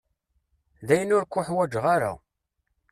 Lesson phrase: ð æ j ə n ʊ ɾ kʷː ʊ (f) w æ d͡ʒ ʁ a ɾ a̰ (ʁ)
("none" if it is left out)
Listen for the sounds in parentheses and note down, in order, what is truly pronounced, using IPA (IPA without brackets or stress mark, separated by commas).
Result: ħ, none